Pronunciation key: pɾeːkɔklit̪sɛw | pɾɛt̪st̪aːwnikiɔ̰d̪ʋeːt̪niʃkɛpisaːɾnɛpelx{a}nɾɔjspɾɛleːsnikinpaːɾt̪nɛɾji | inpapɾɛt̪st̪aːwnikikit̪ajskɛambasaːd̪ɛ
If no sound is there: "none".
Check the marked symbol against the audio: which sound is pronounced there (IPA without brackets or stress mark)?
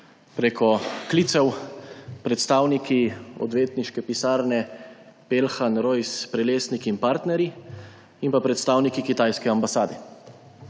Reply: a